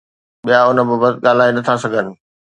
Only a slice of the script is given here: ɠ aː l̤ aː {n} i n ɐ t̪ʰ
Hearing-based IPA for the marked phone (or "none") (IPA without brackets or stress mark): none